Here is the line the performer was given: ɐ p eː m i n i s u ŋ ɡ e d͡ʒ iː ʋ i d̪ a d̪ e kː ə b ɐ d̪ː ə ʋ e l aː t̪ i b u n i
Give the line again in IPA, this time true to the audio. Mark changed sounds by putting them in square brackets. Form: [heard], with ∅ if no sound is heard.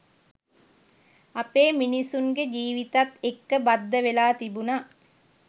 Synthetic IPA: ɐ p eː m i n i s u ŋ ɡ e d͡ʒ iː ʋ i [t̪] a [t̪] e kː ə b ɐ d̪ː ə ʋ e l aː t̪ i b u n [a]